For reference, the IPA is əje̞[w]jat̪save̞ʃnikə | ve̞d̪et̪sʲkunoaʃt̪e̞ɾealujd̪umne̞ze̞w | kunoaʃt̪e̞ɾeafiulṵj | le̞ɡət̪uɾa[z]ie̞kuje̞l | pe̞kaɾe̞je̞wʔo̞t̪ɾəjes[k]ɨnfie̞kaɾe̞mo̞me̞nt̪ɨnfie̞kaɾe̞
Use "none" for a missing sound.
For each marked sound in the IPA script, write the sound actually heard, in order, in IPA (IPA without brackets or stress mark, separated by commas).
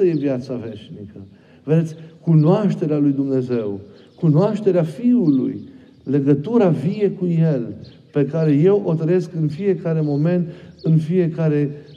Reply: v, v, k